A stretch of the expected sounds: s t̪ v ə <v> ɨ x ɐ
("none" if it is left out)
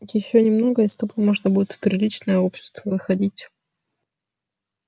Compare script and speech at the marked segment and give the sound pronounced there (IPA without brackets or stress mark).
v